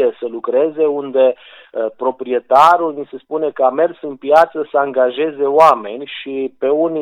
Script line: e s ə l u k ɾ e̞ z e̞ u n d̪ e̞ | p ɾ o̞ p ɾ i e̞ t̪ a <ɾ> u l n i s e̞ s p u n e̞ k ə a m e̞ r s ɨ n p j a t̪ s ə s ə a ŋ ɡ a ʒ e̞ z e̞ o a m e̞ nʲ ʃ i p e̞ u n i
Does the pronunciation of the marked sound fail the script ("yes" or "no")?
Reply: no